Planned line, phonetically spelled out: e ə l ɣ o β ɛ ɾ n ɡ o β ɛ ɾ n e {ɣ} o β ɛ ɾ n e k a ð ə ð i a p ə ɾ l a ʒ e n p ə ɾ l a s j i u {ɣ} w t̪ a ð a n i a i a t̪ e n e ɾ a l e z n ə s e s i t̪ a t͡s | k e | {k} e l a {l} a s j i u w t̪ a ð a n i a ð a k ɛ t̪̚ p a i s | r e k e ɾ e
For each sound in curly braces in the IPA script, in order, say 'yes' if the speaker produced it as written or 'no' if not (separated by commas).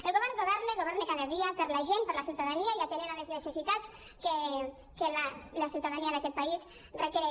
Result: yes, no, yes, yes